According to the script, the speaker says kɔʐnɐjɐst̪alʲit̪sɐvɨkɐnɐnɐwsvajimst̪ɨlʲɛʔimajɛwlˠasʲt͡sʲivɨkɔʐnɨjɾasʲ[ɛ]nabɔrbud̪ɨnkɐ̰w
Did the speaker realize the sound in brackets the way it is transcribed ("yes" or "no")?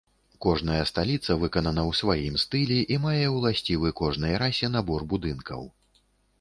yes